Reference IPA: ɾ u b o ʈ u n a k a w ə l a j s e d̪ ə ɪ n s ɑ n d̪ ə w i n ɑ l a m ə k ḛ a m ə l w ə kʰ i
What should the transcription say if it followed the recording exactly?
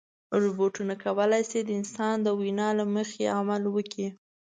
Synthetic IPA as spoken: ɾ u b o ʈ u n a k a w ə l a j s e d̪ ə ɪ n s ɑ n d̪ ə w i n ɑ l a m ə x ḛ a m a l w ə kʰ i